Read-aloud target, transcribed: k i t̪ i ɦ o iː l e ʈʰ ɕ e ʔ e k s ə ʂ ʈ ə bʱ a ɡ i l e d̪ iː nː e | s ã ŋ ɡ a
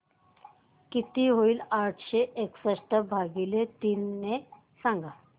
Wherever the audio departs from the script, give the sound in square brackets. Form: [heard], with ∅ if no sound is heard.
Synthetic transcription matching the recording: k i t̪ i ɦ o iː l [a] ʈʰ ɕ e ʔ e k s ə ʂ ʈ ə bʱ a ɡ i l e [t̪] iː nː e | s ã ŋ ɡ a

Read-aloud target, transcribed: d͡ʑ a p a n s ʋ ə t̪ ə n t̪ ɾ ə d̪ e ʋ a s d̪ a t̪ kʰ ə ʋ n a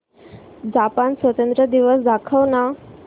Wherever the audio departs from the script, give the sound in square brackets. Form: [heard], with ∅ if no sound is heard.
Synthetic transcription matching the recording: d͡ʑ a p a n s ʋ ə t̪ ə n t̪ ɾ ə d̪ [i] ʋ [ə] s d̪ a [∅] kʰ ə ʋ n a

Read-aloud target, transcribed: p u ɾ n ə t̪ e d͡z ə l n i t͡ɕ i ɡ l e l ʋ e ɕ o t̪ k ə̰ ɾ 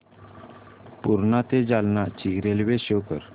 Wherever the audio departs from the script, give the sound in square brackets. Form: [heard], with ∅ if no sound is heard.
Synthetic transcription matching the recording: p u ɾ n [a] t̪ e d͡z [a] l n [a] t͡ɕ i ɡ [ɾ] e l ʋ e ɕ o [∅] k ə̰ ɾ

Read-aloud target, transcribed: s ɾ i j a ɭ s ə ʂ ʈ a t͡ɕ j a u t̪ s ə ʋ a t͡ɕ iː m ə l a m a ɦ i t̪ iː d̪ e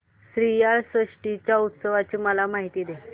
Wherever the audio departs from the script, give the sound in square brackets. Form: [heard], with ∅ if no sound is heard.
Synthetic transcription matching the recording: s ɾ i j a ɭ s ə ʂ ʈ [i] t͡ɕ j a u t̪ s ə ʋ a t͡ɕ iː m ə l a m a ɦ i t̪ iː d̪ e

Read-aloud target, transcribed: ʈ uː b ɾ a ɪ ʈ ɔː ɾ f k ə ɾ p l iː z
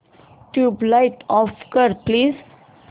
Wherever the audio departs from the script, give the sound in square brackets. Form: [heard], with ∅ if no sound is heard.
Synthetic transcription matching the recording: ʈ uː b [l] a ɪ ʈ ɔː [∅] f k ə ɾ p l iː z

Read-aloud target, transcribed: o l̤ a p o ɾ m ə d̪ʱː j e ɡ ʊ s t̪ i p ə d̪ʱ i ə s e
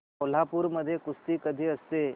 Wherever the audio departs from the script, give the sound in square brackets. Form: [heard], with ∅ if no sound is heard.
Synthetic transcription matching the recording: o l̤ a p [u] ɾ m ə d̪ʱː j e [k] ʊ s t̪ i [k] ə d̪ʱ i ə s e

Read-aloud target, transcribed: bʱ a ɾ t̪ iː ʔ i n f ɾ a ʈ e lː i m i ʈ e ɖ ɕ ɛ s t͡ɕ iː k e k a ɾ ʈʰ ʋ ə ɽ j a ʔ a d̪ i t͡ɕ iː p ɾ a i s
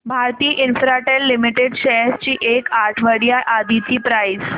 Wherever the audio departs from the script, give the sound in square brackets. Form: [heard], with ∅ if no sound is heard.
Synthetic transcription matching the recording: bʱ a ɾ t̪ iː ʔ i n f ɾ a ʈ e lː i m i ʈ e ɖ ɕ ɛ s t͡ɕ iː [ʔ] e k a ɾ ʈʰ ʋ ə ɽ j a ʔ a d̪ i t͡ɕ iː p ɾ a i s

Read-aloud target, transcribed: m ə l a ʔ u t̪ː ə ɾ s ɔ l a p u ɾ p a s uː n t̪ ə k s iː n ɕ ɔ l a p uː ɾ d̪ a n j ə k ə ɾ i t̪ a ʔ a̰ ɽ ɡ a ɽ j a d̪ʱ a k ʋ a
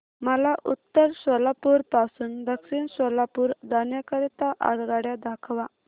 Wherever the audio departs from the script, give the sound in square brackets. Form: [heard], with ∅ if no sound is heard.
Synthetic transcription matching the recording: m ə l a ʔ u t̪ː ə ɾ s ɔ l a p u ɾ p a s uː n [d̪] ə k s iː n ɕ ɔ l a p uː ɾ d̪ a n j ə k ə ɾ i t̪ a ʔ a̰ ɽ ɡ a ɽ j a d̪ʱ a [kʰ] ʋ a

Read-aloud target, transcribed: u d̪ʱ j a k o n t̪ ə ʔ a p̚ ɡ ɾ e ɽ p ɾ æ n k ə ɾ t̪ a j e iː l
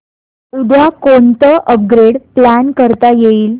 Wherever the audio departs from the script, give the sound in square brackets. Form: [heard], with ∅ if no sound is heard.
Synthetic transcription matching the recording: u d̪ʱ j a k o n t̪ ə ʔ [ə] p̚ ɡ ɾ e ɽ p [l] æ n k ə ɾ t̪ a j e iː l

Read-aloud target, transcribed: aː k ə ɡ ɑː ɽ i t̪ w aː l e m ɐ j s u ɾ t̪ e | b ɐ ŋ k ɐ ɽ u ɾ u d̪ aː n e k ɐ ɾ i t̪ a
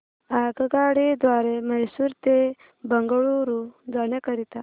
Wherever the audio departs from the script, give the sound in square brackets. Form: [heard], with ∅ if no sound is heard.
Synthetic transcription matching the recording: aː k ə ɡ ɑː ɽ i [d̪] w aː [ɾ] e m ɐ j s u ɾ t̪ e | b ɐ ŋ [ɡ] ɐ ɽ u ɾ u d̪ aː n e k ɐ ɾ i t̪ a

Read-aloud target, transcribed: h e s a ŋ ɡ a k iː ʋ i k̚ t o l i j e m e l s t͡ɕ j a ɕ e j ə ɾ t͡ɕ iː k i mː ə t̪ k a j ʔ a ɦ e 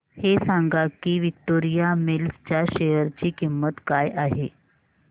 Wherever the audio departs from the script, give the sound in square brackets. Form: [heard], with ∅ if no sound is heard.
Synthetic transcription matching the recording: h e s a ŋ ɡ a k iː ʋ i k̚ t o [ɾ] i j [a] m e l s t͡ɕ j a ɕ e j ə ɾ t͡ɕ iː k i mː ə t̪ k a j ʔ a ɦ e

